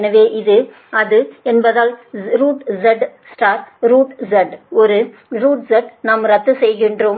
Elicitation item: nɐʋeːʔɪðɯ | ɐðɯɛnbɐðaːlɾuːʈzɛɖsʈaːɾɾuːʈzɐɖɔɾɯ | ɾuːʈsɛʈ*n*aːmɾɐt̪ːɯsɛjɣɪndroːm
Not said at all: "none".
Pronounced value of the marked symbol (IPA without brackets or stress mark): n